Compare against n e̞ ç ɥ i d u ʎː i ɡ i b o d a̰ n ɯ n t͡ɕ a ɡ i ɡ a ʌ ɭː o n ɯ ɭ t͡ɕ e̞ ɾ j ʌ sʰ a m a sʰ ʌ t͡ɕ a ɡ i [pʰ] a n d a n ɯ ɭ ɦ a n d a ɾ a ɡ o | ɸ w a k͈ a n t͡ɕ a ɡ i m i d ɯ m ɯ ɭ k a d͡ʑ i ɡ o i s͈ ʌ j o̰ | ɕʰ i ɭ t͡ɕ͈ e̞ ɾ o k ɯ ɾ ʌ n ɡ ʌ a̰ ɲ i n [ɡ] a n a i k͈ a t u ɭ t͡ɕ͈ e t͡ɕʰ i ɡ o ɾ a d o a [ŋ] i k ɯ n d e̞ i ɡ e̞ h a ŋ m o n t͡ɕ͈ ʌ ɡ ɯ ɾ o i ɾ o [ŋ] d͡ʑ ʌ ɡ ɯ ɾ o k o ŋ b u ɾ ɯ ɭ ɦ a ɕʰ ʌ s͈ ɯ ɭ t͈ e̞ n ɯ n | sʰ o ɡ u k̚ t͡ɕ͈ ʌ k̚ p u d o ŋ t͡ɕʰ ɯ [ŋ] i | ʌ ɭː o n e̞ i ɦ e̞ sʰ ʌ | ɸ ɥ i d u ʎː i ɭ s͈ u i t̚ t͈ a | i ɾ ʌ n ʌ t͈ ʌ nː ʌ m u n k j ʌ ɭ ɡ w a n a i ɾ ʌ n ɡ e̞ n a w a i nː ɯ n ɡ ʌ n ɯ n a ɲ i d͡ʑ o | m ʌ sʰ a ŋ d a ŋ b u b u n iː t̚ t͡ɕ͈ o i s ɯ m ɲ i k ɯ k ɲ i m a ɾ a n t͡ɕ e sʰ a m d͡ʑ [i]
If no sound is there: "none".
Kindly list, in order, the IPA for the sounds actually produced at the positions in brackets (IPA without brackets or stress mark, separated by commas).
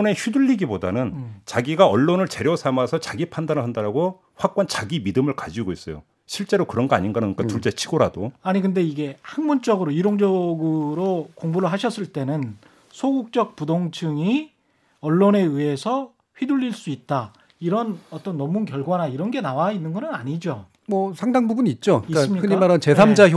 pʰ, ɡ, ɲ, ŋ, ŋ, a